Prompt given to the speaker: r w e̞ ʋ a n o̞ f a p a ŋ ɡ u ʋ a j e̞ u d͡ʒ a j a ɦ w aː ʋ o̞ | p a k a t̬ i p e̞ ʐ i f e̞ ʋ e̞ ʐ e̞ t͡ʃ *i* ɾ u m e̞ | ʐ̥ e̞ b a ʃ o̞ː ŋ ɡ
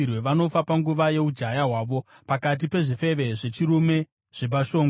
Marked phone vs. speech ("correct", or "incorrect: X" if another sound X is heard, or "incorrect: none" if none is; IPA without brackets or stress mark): correct